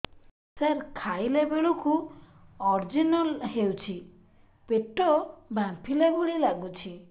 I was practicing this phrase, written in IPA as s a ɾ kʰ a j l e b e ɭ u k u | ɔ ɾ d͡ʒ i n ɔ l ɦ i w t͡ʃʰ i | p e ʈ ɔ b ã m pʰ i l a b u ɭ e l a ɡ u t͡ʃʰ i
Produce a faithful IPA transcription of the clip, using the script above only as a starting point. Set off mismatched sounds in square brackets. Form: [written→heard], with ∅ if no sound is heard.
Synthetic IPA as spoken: s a ɾ kʰ a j l e b e ɭ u k u | ɔ ɾ d͡ʒ i n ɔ l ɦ [i→e] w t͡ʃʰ i | p e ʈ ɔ b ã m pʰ i l [a→e] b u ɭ [e→i] l a ɡ u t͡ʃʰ i